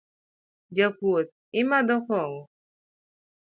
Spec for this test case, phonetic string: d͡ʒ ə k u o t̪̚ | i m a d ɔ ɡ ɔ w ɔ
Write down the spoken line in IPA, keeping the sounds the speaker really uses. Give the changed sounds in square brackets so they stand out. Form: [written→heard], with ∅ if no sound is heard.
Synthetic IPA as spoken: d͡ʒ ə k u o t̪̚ | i m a d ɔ [ɡ→k] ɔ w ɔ